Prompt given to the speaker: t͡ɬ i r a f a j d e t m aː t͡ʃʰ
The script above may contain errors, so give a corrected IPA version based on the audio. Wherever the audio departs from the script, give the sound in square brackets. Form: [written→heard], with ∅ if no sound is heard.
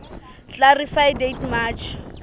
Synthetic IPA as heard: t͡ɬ [i→a] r [a→i] f a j d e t m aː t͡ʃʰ